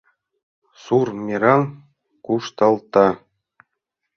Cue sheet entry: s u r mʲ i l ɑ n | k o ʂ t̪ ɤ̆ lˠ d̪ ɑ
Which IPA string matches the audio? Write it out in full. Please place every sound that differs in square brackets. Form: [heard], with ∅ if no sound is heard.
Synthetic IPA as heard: s u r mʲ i [ɾ] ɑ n | k [u] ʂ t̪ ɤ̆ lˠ [t̪] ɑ